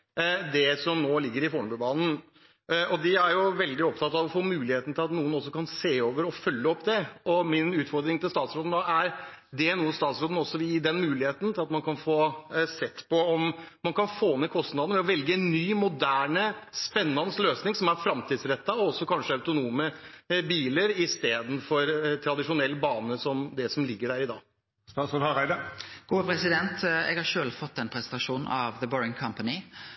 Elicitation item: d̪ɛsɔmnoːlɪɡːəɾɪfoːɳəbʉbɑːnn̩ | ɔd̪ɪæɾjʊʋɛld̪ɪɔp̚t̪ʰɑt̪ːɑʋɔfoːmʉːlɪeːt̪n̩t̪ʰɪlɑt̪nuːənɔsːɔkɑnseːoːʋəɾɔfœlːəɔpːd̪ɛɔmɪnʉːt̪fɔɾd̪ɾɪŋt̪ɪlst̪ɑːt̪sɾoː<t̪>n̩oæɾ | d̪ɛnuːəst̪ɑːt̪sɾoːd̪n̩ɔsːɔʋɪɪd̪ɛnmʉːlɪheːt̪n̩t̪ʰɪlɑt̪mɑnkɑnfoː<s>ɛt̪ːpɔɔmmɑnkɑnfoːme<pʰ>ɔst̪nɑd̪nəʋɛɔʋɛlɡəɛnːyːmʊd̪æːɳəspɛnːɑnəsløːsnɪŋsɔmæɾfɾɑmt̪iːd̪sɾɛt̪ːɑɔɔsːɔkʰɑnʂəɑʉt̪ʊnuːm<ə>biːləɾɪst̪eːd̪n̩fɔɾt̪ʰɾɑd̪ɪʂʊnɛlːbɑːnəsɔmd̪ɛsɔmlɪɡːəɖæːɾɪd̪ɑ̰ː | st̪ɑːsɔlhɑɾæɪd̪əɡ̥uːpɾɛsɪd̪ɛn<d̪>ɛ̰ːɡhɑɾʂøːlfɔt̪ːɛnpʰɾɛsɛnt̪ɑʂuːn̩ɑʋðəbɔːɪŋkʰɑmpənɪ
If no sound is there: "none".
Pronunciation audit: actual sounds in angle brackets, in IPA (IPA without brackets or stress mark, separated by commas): d̪, s, kʰ, ə, t̪